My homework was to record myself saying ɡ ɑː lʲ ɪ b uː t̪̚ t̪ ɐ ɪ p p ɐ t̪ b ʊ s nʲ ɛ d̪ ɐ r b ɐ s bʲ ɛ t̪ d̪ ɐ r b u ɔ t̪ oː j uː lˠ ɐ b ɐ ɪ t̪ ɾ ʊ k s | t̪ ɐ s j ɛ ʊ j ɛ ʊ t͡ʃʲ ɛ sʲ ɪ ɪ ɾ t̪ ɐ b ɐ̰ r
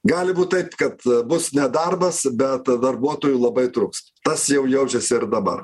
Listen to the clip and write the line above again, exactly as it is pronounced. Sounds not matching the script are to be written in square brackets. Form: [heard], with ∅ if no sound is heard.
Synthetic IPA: ɡ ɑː lʲ ɪ b uː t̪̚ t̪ ɐ ɪ p [k] ɐ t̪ b ʊ s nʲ ɛ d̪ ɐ r b ɐ s bʲ ɛ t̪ d̪ ɐ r b u ɔ t̪ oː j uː lˠ ɐ b ɐ ɪ t̪ ɾ ʊ k s | t̪ ɐ s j ɛ ʊ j ɛ ʊ t͡ʃʲ ɛ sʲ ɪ ɪ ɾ [d̪] ɐ b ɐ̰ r